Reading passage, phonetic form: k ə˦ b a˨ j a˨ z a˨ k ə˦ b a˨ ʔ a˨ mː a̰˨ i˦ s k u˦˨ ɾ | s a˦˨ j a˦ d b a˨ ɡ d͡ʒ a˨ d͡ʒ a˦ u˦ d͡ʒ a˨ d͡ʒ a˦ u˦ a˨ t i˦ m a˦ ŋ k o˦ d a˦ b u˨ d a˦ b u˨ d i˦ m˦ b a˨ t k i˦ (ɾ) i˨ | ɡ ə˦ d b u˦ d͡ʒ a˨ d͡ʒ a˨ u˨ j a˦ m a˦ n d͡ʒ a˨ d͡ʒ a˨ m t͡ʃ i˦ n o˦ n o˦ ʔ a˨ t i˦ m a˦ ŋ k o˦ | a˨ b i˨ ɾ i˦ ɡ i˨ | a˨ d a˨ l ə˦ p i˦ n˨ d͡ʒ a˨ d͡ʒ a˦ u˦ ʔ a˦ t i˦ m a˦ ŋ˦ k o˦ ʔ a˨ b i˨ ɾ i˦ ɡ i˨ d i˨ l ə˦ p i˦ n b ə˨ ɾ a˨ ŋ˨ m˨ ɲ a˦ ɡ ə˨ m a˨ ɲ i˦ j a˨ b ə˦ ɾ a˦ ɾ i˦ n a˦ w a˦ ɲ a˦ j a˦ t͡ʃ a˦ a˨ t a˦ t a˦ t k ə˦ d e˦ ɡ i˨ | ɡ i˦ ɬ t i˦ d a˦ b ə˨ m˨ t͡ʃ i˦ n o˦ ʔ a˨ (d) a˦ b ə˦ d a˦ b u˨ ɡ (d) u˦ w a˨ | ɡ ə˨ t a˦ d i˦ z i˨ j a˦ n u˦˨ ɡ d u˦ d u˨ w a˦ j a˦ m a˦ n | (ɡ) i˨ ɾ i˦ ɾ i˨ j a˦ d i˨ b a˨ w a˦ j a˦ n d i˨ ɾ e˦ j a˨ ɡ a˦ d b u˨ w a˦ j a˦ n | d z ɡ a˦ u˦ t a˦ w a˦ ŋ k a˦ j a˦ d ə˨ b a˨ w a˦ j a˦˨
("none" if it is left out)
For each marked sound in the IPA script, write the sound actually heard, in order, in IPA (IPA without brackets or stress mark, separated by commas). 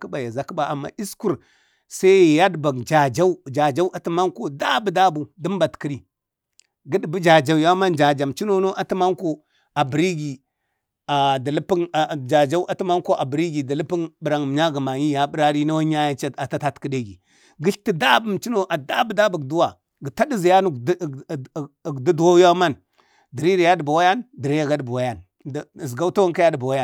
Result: ɾ, d, d, d